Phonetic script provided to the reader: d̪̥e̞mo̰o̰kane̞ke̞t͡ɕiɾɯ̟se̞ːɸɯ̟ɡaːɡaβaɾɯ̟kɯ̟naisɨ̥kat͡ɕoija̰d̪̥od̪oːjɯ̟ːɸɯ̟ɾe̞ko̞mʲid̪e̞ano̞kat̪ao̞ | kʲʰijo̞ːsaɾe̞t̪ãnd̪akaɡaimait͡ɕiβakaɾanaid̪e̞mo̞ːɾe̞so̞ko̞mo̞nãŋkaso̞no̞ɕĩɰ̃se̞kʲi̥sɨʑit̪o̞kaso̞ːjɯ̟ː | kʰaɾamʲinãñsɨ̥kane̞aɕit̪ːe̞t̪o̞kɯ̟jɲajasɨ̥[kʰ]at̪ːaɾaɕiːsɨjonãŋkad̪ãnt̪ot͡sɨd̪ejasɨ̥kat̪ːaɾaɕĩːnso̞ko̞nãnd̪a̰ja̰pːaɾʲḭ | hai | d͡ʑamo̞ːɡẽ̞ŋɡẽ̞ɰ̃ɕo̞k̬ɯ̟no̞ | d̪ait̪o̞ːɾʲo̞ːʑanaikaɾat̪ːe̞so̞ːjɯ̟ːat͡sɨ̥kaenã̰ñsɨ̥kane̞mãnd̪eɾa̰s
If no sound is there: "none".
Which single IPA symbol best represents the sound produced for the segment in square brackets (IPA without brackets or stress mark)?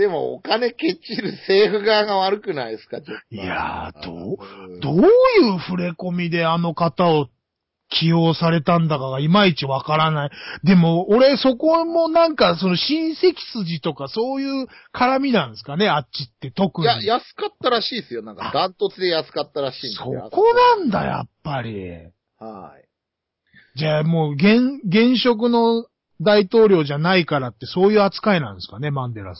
k